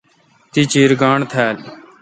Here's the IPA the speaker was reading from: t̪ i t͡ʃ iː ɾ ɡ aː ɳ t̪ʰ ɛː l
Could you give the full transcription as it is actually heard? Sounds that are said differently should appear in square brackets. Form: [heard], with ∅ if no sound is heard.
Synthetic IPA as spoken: t̪ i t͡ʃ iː ɾ ɡ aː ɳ t̪ʰ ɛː l